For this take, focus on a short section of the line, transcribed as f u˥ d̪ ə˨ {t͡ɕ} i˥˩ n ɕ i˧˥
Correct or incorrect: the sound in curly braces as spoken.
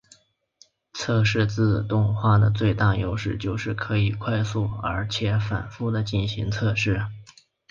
correct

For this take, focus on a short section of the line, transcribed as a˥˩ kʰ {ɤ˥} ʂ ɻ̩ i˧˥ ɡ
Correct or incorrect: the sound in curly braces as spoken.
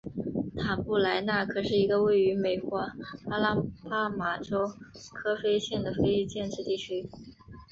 incorrect: ɤ˨˩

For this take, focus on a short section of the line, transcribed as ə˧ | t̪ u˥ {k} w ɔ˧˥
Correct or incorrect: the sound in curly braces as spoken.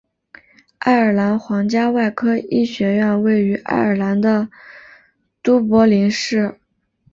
incorrect: p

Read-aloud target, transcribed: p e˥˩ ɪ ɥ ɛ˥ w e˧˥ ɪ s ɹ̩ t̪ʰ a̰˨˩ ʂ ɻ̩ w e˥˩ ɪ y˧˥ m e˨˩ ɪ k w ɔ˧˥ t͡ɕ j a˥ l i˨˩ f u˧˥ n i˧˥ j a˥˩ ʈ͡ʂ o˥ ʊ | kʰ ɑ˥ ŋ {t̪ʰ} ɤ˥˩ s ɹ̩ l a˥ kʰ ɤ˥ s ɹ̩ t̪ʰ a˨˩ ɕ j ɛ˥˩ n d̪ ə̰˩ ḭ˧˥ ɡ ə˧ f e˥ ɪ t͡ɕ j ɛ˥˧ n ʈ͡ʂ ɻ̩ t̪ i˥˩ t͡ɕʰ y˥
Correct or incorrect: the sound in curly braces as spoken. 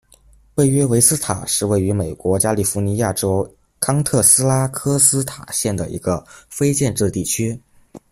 correct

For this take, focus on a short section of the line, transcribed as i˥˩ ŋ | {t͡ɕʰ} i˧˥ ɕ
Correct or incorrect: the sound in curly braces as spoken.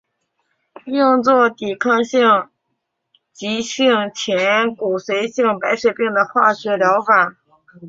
incorrect: t͡ɕ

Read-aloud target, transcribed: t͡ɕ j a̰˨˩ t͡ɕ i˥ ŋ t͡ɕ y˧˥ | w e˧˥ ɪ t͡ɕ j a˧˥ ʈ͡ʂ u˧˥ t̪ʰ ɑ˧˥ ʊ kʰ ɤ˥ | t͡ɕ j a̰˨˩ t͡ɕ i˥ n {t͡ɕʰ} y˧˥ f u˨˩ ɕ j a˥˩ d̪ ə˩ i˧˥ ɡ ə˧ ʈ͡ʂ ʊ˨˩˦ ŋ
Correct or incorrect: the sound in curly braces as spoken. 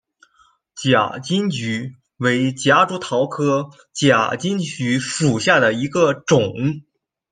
incorrect: t͡ɕ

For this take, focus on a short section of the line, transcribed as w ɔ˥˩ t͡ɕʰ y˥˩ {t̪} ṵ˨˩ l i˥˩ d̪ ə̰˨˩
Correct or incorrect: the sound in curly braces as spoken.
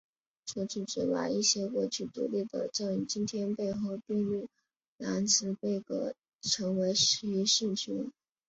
correct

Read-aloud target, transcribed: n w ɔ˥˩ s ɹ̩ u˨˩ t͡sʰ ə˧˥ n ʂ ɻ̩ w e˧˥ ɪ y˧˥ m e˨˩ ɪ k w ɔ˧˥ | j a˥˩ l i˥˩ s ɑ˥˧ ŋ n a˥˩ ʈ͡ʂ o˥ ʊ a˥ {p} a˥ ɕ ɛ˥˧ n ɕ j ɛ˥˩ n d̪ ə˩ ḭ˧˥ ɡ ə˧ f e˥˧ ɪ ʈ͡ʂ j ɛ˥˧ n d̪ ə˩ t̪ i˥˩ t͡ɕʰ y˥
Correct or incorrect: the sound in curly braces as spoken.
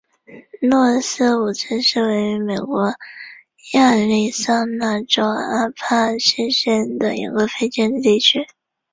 incorrect: pʰ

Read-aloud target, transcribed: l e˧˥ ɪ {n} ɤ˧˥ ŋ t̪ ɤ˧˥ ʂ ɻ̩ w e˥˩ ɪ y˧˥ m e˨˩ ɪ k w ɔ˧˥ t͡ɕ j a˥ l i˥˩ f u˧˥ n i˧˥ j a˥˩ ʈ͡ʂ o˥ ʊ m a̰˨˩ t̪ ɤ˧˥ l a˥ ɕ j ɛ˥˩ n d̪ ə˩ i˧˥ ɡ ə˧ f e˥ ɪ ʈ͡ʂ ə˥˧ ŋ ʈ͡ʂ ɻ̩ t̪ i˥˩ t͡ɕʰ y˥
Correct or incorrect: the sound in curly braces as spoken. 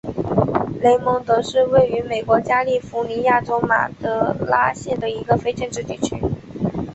incorrect: m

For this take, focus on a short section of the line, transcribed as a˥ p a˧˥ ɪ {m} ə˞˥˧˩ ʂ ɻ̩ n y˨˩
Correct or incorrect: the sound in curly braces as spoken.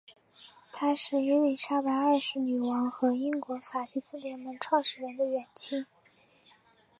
incorrect: none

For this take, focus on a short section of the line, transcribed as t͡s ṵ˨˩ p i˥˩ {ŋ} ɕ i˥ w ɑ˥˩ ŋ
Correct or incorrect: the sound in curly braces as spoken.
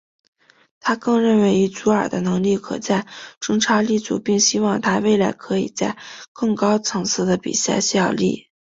correct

